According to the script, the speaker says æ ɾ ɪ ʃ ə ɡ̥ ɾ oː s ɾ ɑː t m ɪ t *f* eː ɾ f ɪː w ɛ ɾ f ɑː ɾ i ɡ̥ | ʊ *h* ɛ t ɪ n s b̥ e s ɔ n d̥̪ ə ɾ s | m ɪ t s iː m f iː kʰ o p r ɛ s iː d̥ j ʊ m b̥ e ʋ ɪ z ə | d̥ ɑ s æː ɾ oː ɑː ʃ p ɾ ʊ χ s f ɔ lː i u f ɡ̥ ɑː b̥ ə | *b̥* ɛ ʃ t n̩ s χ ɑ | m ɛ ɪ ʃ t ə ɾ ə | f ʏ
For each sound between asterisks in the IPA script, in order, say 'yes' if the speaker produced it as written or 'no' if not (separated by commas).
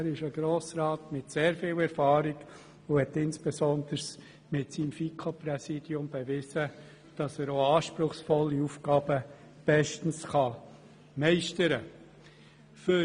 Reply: no, yes, yes